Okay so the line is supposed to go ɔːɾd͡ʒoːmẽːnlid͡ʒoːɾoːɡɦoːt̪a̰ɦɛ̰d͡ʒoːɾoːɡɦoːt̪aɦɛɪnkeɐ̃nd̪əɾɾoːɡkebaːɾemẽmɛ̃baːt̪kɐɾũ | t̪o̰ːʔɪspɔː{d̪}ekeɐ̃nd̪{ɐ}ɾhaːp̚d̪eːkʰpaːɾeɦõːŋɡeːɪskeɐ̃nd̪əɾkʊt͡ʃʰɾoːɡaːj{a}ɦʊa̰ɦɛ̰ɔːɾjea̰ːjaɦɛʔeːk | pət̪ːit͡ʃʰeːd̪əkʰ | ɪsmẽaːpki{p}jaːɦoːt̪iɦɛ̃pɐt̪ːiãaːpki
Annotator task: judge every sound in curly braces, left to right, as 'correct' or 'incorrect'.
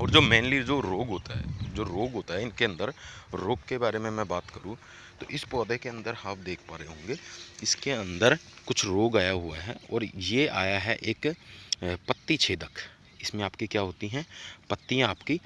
correct, incorrect, correct, incorrect

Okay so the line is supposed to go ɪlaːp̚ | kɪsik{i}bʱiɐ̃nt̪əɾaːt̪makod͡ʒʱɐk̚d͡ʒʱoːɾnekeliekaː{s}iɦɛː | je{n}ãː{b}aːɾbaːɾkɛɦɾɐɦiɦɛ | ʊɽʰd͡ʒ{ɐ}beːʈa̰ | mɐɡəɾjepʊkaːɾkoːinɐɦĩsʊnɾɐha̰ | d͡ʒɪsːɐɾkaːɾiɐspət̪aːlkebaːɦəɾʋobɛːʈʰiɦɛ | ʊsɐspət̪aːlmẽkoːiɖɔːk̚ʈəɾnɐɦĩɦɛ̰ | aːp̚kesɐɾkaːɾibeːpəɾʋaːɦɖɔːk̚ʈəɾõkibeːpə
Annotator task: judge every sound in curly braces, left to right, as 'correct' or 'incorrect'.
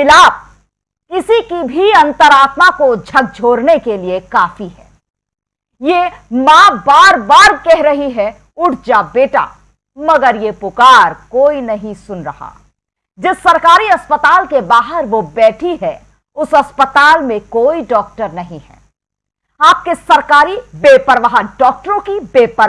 correct, incorrect, incorrect, correct, incorrect

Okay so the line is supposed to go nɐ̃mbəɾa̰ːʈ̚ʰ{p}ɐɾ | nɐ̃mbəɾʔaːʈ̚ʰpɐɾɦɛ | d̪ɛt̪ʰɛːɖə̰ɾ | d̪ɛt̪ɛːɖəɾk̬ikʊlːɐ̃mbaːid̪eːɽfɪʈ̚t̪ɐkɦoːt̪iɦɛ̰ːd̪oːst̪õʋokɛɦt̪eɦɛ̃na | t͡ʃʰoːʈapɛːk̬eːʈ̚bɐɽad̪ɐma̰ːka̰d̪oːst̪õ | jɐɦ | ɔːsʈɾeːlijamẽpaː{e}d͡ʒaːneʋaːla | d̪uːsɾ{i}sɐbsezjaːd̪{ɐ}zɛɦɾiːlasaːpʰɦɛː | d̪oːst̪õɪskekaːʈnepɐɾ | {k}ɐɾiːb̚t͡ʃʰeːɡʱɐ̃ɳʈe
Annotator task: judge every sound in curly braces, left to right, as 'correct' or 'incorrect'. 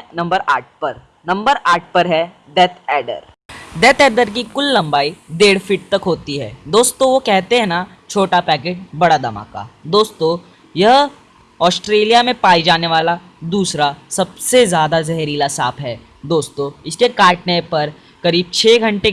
correct, incorrect, incorrect, incorrect, correct

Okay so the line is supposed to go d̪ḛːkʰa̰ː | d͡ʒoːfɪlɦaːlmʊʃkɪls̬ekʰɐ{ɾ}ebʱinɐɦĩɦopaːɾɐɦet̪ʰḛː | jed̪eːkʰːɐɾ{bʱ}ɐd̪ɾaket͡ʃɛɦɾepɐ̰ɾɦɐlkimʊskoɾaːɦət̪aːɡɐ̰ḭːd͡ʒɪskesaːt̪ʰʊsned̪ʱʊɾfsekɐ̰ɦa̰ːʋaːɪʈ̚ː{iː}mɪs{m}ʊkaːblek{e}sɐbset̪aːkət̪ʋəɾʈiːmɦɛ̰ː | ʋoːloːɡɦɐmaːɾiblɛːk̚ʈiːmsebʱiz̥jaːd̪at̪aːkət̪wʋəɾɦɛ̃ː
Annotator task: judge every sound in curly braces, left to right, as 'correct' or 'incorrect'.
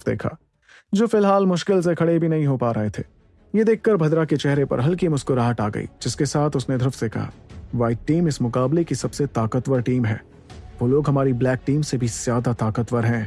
incorrect, correct, correct, correct, incorrect

